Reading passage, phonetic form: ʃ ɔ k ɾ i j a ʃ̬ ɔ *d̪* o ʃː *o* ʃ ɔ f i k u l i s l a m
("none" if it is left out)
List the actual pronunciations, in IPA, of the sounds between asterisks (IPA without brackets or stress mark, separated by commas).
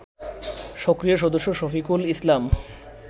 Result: d̪, o